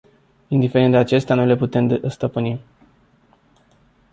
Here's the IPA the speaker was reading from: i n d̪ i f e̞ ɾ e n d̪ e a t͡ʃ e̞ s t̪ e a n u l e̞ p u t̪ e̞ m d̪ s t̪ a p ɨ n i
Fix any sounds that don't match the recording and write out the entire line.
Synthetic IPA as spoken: i n d̪ i f e̞ ɾ e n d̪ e a t͡ʃ e̞ s t̪ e a n u l e̞ p u t̪ e̞ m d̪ s t̪ ə p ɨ n i